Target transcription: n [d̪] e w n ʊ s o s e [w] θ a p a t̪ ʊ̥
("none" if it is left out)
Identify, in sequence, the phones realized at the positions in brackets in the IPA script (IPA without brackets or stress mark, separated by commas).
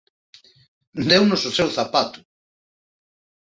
d̪, w